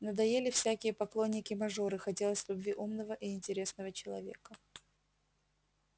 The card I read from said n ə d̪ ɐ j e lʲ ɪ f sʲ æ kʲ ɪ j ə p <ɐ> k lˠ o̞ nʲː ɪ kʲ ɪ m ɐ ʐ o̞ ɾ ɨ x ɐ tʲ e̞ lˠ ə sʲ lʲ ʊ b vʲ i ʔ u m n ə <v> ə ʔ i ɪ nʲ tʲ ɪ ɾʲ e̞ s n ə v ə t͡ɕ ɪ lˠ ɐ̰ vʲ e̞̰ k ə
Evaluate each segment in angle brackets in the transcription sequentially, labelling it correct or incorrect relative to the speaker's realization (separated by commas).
correct, correct